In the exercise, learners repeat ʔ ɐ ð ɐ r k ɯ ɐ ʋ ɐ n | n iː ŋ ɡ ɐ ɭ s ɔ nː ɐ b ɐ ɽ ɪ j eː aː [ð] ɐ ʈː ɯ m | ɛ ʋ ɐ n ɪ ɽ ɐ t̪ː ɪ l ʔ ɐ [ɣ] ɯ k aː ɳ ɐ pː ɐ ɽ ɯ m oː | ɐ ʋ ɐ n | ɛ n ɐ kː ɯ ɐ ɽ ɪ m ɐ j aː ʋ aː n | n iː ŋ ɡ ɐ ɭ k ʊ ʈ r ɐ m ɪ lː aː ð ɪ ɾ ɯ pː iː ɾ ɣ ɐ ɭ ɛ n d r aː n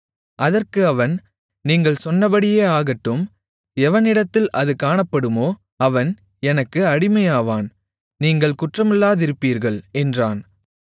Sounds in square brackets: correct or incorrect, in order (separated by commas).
incorrect, incorrect